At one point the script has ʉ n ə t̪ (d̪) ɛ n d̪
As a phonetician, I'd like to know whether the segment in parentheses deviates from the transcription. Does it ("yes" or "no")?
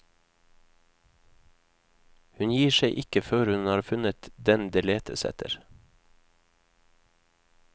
no